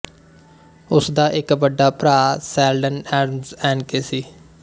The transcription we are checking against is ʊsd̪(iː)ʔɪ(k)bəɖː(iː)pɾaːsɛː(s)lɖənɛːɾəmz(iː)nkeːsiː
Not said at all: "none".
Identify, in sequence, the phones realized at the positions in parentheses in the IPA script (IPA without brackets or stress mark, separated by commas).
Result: aː, k, aː, none, ɛː